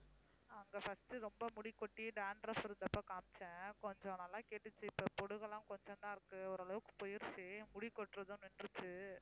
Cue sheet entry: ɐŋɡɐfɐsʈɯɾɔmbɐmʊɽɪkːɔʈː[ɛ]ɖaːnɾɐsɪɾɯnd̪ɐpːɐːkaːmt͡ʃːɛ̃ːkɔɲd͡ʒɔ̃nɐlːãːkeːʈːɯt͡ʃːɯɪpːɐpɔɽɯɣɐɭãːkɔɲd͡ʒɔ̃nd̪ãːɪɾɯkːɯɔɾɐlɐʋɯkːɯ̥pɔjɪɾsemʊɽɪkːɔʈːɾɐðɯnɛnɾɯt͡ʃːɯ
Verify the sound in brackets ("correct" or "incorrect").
incorrect